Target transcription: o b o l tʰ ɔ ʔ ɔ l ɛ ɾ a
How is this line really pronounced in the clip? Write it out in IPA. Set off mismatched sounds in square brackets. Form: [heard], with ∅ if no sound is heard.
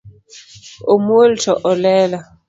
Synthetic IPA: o [m] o l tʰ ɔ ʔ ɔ l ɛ [l] a

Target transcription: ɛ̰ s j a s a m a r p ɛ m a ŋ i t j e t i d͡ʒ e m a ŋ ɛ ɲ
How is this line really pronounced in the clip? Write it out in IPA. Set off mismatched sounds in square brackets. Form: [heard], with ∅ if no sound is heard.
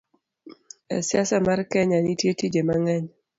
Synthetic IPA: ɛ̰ s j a s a m a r [k] ɛ [ɲ] a [n] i t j e t i d͡ʒ e m a ŋ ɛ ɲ

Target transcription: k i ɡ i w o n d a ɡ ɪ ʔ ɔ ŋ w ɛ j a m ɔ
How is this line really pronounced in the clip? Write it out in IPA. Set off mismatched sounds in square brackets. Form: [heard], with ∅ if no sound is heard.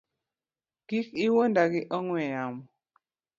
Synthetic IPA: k i [k] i w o n d a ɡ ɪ ʔ ɔ ŋ w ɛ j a m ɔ

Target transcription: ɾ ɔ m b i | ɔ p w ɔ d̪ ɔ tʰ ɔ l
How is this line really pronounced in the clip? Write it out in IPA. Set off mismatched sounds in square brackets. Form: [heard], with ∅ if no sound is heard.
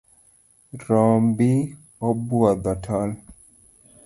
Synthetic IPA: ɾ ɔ m b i | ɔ [b] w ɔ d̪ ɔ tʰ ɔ l

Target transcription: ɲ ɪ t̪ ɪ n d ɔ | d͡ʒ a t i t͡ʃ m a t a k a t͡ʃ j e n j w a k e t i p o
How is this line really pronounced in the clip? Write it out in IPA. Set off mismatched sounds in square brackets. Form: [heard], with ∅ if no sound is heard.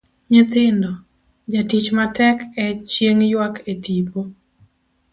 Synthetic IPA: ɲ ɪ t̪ ɪ n d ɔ | d͡ʒ a t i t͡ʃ m a t [ɛ] k [ɛ] t͡ʃ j e [ŋ] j w a k e t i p o

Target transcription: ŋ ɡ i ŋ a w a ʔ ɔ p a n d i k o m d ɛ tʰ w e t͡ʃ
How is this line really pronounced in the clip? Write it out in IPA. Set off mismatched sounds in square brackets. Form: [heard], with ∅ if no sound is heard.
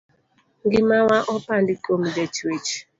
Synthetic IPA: ŋ ɡ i [m] a w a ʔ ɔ p a n d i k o m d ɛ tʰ w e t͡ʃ

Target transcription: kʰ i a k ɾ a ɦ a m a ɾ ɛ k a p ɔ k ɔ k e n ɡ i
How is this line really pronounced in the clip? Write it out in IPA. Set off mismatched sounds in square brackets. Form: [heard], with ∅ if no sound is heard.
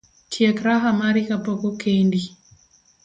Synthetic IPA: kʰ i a k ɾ a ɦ a m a ɾ [i] k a p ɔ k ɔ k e n [d] i

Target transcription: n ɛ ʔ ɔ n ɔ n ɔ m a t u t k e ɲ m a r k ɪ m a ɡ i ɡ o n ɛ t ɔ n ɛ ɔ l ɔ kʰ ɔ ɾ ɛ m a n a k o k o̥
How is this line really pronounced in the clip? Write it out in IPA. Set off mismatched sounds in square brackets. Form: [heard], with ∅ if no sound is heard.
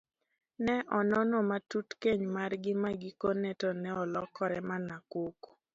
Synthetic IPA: n ɛ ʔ ɔ n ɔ n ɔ m a t u t k e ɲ m a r [ɡ] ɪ m a ɡ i [k] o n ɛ t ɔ n ɛ ɔ l ɔ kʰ ɔ ɾ ɛ m a n a k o k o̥

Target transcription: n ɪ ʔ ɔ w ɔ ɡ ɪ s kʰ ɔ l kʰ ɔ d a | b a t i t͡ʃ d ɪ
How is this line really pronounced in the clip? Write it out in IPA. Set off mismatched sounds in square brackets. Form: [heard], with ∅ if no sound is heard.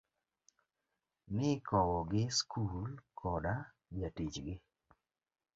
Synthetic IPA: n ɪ [k] ɔ w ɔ ɡ ɪ s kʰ [u] l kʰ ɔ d a | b a t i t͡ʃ [ɡ] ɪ

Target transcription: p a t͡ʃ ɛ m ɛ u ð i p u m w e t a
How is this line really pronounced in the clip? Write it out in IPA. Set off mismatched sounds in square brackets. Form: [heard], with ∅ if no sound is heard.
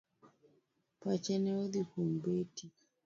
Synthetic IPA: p a t͡ʃ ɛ [n] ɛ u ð i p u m [b] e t [i]

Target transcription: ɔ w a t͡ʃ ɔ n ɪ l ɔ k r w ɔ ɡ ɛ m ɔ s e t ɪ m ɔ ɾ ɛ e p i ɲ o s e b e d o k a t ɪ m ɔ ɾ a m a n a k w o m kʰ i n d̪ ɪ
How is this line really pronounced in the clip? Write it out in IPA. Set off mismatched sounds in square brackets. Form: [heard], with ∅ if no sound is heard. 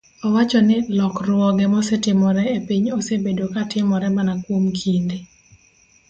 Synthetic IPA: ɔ w a t͡ʃ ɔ n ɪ l ɔ k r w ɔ ɡ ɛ m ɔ s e t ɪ m ɔ ɾ ɛ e p i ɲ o s e b e d o k a t ɪ m ɔ ɾ [ɛ] m a n a k w o m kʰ i n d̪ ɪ

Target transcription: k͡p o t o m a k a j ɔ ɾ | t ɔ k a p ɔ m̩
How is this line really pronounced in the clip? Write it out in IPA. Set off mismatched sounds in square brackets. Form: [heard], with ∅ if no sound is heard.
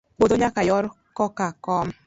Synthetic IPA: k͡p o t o [ɲ] a k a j ɔ ɾ | [k] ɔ k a [k] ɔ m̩

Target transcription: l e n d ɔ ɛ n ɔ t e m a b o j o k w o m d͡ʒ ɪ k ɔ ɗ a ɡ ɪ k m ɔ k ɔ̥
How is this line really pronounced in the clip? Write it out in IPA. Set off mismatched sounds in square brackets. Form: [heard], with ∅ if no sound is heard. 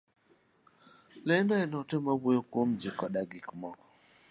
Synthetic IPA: l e n d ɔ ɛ n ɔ t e m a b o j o k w o m d͡ʒ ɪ k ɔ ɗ a ɡ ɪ k m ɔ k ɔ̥

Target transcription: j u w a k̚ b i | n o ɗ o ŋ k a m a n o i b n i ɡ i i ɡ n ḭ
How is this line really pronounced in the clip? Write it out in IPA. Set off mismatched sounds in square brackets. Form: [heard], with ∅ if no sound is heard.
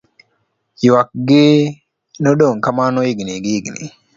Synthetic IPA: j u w a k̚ [ɡ] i | n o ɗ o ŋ k a m a n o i [ɡ] n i ɡ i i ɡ n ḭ

